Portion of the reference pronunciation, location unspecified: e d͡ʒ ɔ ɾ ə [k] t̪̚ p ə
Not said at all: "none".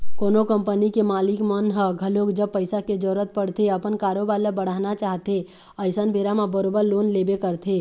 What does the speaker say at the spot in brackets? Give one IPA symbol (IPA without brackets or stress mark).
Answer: none